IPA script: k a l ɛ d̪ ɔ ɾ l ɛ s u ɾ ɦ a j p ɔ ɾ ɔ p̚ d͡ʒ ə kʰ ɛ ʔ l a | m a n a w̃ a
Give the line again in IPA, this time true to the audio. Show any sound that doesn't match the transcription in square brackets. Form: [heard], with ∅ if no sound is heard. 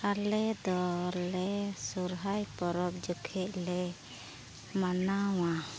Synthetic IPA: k a l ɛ d̪ ɔ ɾ l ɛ s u ɾ ɦ a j p ɔ ɾ ɔ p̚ d͡ʒ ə kʰ ɛ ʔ l [ɛ] | m a n a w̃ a